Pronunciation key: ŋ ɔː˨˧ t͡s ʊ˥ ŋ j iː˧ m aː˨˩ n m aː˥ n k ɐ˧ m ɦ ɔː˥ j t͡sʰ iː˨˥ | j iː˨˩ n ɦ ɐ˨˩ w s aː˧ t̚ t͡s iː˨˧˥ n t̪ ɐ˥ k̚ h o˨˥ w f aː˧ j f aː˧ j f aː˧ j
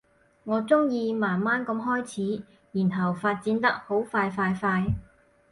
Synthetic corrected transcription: ŋ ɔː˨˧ t͡s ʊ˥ ŋ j iː˧ m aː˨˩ n m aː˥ n k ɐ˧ m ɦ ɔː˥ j t͡sʰ iː˨˥ | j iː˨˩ n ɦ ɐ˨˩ w f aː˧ t̚ t͡s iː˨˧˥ n t̪ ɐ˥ k̚ h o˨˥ w f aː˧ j f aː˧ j f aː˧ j